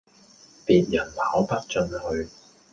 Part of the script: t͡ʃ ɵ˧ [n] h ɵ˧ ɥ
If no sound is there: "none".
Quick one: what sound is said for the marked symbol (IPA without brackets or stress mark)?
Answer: n